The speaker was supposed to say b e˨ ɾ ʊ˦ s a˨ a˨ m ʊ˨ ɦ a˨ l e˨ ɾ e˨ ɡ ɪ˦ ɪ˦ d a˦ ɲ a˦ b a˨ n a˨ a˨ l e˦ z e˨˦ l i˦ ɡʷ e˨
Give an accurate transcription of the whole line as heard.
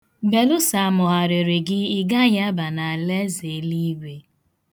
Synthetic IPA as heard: b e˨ l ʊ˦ s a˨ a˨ m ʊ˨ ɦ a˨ ɾ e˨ ɾ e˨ ɡ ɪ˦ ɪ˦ ɡ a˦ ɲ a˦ b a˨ n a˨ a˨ l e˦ z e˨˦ l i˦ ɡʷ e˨